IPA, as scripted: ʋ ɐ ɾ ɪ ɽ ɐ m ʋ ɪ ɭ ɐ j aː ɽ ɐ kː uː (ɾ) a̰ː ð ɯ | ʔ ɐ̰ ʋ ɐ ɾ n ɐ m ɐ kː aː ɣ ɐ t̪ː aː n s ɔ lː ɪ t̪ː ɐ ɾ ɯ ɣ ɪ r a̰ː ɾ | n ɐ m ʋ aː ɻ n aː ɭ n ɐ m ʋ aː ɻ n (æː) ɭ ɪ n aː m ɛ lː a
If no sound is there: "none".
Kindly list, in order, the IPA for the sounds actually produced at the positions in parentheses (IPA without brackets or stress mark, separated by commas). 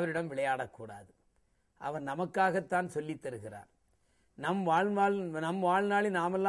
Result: ɽ, aː